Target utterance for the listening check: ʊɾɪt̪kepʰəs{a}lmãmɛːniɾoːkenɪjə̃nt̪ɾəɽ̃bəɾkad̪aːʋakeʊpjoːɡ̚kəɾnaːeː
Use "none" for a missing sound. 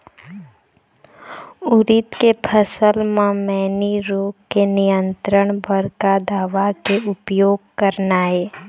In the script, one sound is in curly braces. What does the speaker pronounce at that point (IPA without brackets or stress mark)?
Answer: ə